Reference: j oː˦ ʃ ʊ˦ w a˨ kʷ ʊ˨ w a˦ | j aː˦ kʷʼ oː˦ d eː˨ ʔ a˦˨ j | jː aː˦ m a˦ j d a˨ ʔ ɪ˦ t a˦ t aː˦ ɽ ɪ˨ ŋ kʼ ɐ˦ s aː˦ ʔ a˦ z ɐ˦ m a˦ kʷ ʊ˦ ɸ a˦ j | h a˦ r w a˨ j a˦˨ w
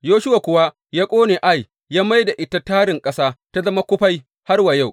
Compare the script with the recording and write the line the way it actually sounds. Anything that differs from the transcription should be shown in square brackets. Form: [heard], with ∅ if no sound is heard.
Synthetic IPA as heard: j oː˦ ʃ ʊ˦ w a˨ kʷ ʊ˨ w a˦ | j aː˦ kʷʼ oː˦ [n] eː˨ ʔ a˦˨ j | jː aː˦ m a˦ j d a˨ ʔ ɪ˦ t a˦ t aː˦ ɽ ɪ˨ ŋ kʼ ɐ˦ s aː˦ [t] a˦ z ɐ˦ m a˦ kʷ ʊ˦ ɸ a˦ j | h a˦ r w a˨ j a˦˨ w